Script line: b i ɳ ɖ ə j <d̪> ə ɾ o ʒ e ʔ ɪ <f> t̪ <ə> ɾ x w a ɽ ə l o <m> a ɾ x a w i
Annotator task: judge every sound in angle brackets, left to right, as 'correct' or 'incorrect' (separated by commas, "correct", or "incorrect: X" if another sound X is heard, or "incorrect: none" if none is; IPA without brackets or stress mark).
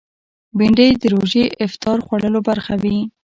correct, correct, incorrect: ɑ, incorrect: b